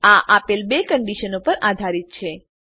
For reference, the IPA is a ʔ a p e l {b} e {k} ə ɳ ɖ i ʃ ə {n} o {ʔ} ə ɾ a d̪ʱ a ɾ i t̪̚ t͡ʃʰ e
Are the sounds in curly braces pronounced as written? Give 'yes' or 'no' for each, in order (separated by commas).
yes, yes, yes, no